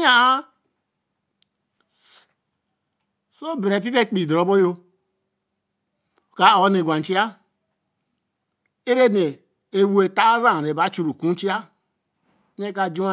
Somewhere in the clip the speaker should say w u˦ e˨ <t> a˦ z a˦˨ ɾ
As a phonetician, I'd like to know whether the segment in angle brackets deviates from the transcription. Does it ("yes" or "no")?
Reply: no